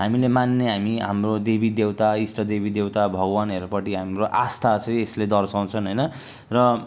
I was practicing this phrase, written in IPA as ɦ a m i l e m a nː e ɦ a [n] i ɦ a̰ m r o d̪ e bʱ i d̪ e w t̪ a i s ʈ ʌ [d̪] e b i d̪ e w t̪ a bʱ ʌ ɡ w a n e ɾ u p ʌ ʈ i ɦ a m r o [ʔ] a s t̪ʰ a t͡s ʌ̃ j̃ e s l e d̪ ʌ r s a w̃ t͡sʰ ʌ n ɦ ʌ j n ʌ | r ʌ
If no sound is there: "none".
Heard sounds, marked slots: m, d̪, ʔ

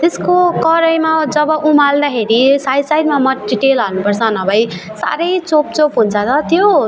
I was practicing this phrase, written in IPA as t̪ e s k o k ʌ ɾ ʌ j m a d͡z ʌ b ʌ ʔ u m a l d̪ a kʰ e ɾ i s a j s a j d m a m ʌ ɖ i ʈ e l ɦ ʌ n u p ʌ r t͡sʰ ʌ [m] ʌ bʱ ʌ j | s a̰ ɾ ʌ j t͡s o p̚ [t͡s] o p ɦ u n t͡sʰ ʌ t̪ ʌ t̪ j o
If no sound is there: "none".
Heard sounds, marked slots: n, t͡s

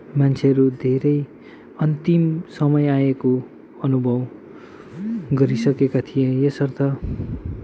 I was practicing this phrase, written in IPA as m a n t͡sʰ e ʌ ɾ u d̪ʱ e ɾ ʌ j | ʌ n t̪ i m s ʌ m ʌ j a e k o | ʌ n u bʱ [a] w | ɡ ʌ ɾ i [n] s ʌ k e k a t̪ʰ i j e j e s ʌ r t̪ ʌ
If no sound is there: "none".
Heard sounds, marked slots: ʌ, none

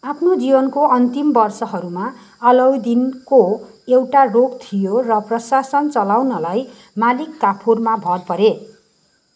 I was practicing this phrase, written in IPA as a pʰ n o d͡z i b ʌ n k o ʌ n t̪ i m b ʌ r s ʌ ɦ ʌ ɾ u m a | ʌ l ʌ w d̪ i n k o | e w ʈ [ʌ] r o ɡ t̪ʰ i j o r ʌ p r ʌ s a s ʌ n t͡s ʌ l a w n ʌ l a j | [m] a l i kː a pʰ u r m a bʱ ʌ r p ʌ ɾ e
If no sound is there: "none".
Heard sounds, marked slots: a, m

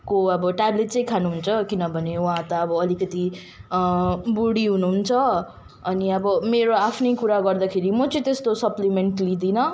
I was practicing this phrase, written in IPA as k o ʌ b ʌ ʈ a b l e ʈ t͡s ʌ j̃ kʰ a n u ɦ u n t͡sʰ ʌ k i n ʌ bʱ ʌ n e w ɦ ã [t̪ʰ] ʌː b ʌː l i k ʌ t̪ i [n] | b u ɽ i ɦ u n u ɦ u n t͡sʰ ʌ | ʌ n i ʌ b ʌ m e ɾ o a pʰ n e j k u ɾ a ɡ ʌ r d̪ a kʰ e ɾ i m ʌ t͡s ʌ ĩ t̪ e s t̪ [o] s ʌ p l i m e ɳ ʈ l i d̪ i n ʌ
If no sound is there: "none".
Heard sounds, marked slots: t̪, none, o

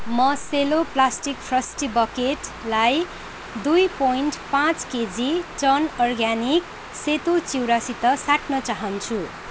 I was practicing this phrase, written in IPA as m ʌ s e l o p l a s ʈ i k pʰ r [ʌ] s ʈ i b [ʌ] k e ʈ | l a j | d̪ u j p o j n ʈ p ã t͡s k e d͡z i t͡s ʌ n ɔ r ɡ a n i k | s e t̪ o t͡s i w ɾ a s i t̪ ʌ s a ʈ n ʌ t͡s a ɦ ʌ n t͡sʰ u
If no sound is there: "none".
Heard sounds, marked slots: ʌ, ʌ

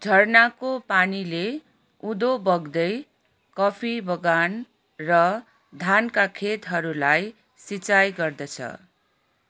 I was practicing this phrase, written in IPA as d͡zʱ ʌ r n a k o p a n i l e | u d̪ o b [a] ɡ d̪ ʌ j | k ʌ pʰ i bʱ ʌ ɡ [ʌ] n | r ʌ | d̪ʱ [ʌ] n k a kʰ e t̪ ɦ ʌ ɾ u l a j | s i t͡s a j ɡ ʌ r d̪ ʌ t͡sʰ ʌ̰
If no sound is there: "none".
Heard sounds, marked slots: ʌ, a, a

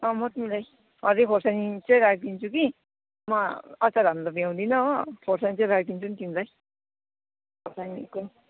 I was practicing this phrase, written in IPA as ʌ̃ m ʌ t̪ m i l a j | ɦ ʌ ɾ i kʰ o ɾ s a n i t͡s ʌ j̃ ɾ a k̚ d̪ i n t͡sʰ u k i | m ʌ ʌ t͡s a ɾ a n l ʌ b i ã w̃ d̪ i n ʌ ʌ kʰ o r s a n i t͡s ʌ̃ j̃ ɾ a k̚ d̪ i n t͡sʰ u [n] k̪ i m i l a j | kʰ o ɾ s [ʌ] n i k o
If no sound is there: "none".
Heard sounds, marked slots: n, a

